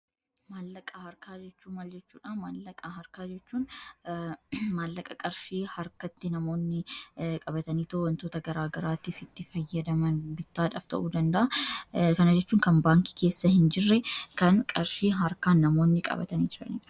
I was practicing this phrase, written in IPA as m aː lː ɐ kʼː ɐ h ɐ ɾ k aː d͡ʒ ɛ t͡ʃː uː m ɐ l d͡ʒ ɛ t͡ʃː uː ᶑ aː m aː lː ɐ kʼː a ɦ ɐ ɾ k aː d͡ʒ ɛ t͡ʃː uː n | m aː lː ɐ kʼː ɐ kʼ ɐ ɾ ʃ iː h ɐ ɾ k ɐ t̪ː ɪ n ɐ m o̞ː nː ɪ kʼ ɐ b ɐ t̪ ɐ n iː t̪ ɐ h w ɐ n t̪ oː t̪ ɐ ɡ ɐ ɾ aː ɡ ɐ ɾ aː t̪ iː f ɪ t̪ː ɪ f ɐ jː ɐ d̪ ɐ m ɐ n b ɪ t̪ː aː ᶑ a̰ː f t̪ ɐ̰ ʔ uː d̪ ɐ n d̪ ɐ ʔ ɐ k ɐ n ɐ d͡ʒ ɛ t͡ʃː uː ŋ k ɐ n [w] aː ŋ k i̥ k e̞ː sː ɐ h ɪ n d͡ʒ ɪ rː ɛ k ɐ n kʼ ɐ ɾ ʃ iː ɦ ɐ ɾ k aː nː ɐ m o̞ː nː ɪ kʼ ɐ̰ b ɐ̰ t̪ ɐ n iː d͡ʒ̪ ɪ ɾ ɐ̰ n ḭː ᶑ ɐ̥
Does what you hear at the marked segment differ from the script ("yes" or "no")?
yes